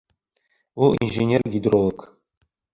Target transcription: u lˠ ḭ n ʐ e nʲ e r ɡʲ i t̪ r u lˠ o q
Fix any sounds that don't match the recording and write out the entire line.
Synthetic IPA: u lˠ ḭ n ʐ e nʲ e r ɡʲ i d̪ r o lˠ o k